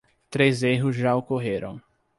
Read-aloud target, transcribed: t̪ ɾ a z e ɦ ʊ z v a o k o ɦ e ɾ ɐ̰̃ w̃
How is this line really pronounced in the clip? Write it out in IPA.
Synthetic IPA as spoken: t̪ ɾ e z e ɦ ʊ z ʒ a o k o ɦ e ɾ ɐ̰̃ w̃